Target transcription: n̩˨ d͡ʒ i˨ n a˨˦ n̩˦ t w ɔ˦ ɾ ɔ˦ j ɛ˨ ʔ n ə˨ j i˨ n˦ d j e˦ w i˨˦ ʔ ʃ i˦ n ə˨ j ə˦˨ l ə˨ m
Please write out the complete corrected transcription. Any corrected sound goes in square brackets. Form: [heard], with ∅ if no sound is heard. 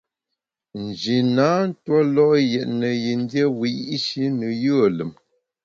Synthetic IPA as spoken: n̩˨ d͡ʒ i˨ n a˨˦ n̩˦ t w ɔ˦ [l] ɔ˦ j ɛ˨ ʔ n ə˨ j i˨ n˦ d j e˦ w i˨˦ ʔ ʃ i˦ n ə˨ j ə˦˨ l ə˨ m